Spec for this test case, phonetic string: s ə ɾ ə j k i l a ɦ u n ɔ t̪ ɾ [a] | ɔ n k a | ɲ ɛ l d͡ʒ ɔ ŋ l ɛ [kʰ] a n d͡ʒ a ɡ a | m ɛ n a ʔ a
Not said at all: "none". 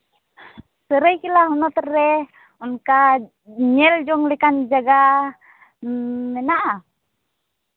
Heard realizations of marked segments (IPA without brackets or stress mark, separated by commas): ɛ, k